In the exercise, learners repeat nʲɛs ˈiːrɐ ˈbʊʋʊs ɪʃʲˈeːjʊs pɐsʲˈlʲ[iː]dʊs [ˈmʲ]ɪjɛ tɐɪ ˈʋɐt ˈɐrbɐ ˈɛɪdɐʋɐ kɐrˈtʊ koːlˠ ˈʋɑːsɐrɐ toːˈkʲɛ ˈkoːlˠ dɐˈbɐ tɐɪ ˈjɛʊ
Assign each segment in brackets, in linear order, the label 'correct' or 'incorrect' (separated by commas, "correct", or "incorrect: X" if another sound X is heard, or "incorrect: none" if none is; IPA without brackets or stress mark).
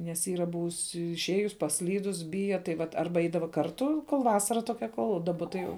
correct, incorrect: bʲ